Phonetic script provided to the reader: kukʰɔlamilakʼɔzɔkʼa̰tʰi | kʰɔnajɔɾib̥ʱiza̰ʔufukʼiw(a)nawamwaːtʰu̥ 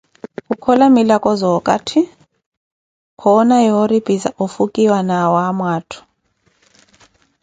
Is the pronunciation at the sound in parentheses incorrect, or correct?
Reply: correct